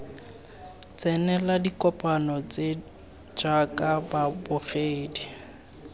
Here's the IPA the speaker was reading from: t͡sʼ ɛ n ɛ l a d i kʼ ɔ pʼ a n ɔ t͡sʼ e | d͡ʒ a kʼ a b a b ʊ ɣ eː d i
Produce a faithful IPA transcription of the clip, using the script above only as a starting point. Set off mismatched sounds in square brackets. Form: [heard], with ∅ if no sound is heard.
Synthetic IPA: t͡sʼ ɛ n ɛ l a d i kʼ ɔ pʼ a n ɔ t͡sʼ e | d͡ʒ a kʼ a b a b ʊ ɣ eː d i